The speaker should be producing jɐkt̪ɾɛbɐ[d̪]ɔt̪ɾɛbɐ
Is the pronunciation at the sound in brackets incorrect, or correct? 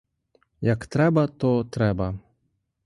incorrect